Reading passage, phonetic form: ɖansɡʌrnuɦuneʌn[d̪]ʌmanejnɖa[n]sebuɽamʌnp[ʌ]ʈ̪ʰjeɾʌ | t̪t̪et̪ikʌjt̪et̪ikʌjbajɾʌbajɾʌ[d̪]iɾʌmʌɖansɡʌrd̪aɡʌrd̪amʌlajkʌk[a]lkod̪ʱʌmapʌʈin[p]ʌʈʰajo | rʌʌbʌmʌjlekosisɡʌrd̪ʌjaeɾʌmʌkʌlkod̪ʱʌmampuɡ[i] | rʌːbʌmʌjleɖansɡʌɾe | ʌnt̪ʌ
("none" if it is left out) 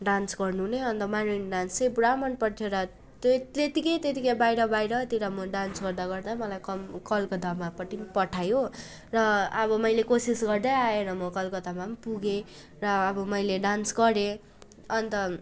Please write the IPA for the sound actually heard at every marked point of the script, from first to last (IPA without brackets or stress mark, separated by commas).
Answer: t̪, n, ʌ, t̪, ʌ, p, e